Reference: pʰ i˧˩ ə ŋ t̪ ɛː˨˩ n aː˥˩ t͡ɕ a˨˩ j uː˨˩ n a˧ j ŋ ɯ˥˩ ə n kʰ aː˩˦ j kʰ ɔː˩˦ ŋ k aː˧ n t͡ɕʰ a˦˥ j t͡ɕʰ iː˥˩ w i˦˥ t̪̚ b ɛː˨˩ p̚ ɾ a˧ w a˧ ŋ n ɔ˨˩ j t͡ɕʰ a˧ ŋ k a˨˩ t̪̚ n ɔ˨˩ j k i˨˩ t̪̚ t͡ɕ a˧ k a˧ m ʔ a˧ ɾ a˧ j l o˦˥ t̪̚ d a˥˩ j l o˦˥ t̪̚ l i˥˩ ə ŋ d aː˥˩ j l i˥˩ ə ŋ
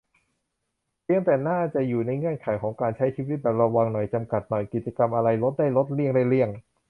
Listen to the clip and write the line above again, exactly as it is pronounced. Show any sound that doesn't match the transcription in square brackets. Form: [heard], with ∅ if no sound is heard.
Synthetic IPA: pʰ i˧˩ ə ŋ t̪ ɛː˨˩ n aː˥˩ t͡ɕ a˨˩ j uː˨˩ n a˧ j ŋ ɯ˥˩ ə n kʰ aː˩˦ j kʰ ɔː˩˦ ŋ k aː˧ n t͡ɕʰ a˦˥ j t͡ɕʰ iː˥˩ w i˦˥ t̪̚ b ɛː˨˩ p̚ ɾ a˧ w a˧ ŋ n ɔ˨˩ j [t͡ɕ] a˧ [m] k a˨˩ t̪̚ n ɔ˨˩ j k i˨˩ t̪̚ t͡ɕ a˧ k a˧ m ʔ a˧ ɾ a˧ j l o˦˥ t̪̚ d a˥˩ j l o˦˥ t̪̚ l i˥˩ ə ŋ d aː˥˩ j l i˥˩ ə ŋ